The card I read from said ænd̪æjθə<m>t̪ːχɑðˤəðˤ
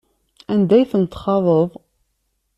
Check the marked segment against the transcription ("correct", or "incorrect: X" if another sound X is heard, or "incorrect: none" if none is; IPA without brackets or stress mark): incorrect: n